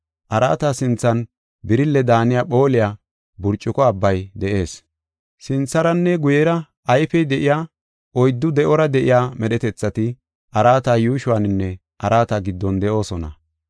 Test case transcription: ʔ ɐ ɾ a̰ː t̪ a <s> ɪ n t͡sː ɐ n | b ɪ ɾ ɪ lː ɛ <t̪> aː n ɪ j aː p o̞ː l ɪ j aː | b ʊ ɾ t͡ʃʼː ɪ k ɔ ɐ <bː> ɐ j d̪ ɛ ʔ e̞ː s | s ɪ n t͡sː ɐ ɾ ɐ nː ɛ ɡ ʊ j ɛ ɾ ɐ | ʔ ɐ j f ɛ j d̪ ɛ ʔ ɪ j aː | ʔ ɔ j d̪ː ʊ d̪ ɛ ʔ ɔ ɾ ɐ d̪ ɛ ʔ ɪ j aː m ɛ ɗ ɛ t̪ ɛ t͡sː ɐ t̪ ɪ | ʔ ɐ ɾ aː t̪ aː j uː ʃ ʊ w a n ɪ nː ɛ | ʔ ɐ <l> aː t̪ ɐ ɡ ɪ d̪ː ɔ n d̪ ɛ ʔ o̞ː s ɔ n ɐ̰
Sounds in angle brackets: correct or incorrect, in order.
correct, incorrect, correct, incorrect

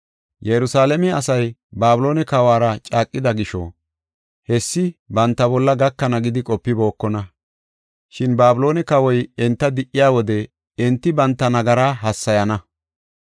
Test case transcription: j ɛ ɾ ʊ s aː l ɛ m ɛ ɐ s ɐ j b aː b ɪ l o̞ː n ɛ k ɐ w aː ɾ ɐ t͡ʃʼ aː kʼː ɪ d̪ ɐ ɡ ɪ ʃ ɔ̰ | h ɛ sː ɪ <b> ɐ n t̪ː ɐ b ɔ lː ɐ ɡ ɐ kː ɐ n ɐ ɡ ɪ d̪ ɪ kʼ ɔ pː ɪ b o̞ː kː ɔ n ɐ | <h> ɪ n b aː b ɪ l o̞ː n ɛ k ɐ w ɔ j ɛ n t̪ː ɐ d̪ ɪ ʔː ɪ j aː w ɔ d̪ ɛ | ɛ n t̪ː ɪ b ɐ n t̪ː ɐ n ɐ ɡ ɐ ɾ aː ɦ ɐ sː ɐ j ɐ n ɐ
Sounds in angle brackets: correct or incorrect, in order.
correct, incorrect

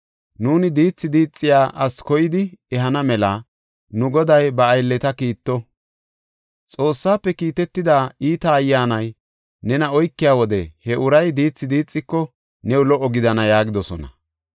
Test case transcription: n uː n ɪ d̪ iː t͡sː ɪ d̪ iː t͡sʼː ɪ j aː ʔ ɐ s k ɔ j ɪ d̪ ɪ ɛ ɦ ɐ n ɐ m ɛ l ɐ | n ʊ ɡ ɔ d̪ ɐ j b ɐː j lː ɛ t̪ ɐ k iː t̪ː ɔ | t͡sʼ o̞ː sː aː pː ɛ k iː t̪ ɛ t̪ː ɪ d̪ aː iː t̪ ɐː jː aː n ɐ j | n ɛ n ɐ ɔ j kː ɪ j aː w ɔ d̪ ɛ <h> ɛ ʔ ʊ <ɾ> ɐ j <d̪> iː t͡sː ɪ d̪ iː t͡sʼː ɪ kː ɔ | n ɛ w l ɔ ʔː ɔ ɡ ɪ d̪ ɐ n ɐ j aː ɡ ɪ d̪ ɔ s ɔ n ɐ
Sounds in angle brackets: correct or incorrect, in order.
correct, correct, correct

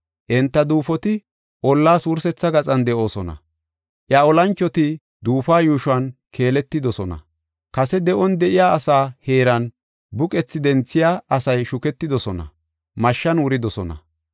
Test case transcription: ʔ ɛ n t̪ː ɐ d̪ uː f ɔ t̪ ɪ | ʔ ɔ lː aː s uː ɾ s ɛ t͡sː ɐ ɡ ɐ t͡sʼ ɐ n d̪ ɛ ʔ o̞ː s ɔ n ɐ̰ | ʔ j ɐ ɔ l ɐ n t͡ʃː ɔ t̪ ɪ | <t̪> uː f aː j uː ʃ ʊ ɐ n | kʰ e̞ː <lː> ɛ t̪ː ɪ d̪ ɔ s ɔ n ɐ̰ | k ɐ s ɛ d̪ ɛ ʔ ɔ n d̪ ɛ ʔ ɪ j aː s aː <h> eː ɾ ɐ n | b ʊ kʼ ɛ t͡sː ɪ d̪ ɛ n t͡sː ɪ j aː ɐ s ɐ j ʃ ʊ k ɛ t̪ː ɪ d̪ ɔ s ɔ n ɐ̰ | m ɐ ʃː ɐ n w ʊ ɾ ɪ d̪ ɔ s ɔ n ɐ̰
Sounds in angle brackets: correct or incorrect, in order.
incorrect, incorrect, correct

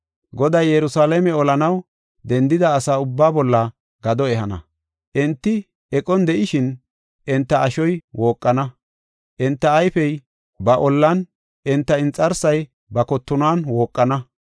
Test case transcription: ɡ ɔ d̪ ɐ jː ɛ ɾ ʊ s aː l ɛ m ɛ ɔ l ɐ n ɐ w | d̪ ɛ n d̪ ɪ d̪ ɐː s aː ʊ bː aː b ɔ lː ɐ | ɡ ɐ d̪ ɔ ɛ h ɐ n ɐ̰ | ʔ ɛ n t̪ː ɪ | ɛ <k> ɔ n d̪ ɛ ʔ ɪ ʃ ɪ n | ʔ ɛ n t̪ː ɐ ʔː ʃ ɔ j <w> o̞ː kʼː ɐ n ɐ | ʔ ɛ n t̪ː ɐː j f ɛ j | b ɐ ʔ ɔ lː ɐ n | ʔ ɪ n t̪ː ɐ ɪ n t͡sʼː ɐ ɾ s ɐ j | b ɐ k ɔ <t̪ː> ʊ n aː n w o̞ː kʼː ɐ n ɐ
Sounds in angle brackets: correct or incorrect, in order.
incorrect, correct, correct

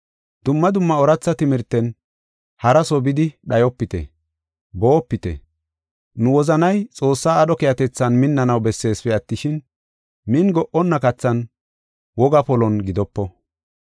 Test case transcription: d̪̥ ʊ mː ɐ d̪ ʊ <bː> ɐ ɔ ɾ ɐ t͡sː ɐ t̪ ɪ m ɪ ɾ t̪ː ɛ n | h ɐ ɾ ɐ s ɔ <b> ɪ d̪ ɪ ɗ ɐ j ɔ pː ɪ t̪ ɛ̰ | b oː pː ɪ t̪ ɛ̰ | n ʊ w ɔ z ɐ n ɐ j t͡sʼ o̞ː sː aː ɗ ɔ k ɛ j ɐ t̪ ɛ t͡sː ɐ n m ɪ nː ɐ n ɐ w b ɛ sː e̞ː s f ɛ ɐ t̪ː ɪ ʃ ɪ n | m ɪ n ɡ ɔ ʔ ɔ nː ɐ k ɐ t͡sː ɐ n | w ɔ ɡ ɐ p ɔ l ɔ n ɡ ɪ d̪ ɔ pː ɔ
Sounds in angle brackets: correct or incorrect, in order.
incorrect, correct

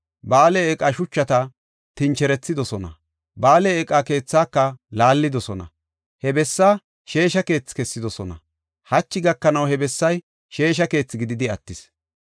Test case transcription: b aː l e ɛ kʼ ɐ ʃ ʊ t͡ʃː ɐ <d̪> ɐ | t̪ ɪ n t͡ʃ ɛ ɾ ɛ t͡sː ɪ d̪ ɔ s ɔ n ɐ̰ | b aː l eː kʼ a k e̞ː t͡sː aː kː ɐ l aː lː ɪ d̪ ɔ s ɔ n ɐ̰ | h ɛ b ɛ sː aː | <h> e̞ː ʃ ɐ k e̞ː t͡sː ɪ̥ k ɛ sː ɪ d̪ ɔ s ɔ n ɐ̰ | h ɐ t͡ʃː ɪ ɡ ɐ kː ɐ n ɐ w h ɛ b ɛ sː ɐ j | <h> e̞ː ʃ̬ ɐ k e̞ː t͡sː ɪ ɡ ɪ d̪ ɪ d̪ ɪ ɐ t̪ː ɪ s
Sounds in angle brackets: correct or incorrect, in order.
incorrect, incorrect, incorrect

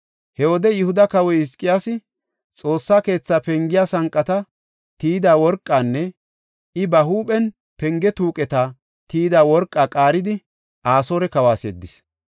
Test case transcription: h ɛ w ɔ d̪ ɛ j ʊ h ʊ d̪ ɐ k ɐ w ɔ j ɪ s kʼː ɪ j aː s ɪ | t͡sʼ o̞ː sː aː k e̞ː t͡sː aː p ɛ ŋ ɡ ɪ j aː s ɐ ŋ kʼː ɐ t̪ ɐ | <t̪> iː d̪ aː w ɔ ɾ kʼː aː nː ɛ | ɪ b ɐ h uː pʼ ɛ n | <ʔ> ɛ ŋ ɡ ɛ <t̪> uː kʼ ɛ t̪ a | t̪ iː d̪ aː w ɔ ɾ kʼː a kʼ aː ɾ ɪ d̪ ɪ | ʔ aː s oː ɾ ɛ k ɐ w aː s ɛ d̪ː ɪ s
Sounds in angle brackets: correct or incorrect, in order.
correct, incorrect, correct

